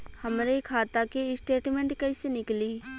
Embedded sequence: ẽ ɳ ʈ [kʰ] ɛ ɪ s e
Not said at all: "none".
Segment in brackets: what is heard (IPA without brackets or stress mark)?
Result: k